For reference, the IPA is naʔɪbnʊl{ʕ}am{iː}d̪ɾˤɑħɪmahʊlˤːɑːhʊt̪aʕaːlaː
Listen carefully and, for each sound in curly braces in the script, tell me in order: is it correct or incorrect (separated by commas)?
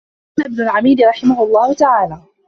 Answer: correct, correct